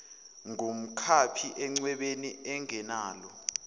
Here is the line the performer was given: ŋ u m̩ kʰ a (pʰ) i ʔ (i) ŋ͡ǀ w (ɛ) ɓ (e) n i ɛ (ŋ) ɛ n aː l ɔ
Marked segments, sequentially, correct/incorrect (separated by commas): correct, incorrect, correct, correct, correct